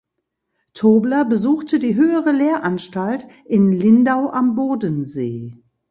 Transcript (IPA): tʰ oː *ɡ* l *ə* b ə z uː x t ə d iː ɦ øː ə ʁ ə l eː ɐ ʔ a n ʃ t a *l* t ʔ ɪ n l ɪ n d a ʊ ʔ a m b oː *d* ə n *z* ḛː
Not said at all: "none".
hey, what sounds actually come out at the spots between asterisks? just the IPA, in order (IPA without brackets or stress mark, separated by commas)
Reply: b, ɐ, l, d, z